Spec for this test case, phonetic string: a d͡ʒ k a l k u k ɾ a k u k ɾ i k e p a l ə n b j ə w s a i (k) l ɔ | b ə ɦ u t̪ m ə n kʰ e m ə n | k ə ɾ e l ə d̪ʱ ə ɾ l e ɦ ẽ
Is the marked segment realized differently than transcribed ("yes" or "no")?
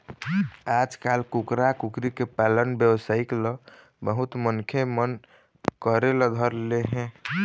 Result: no